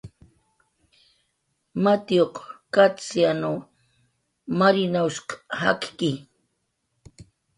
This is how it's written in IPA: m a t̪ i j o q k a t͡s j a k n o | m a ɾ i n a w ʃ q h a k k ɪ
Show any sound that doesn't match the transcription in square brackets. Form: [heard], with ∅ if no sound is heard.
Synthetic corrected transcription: m a t̪ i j o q k a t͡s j a [∅] n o | m a ɾ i n a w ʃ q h a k k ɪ